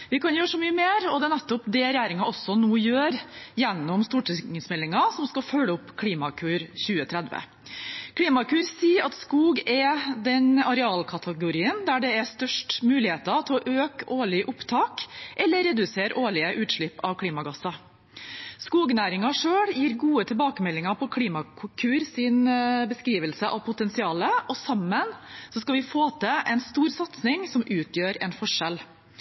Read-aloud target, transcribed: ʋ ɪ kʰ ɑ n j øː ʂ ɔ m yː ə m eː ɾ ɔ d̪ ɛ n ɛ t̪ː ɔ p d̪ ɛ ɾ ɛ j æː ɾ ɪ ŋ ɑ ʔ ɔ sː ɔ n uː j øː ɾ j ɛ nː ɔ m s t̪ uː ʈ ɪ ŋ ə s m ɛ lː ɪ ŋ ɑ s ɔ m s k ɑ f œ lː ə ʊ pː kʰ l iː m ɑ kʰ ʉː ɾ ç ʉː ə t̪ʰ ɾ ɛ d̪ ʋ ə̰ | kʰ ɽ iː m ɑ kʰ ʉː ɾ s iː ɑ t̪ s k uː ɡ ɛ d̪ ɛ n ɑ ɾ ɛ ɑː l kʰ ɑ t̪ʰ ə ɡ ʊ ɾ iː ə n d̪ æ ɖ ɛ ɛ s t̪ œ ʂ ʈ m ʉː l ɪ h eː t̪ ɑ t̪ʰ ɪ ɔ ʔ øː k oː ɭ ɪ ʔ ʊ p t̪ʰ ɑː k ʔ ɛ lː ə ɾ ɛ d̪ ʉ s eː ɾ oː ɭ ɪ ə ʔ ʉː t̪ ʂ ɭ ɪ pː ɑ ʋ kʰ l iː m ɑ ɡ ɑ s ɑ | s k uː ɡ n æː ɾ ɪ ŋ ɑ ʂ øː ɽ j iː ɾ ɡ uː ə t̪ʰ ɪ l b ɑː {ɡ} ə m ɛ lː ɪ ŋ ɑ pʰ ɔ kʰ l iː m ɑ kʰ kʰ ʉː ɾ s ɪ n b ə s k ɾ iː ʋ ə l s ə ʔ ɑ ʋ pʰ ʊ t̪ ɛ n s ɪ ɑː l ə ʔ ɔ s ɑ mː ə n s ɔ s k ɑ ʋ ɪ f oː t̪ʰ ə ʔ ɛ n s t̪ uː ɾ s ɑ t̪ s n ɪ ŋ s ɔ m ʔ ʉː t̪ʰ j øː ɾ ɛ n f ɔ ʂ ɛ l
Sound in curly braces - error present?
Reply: yes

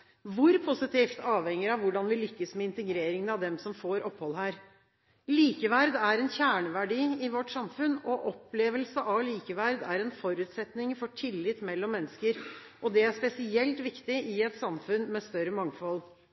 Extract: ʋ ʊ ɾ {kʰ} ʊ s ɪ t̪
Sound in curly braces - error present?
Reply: yes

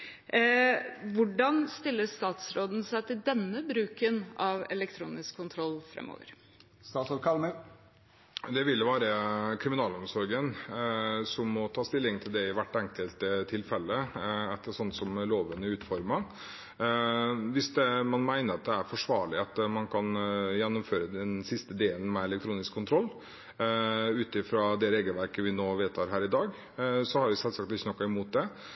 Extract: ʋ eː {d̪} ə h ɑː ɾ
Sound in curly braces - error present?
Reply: yes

